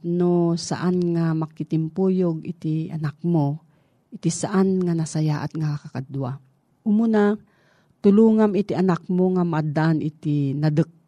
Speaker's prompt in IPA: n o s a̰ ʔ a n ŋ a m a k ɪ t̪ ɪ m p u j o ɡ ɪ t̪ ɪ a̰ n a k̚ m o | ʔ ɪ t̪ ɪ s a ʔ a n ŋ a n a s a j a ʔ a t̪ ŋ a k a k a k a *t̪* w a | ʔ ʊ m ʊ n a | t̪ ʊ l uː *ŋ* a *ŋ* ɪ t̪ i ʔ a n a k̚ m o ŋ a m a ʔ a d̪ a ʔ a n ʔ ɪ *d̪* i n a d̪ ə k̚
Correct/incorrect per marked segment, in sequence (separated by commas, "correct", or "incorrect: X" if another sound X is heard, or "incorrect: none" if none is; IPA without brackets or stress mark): incorrect: d̪, correct, incorrect: m, incorrect: t̪